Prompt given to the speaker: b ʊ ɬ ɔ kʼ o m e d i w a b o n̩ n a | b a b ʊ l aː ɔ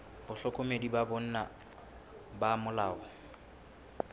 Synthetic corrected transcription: b ʊ ɬ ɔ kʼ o m e d i b a b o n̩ n a | b a m ʊ l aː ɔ